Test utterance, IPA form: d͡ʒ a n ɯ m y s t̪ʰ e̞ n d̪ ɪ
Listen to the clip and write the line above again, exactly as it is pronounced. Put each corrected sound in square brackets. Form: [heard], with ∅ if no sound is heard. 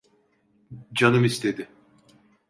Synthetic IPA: d͡ʒ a n ɯ m [i] s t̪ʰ e̞ [∅] d̪ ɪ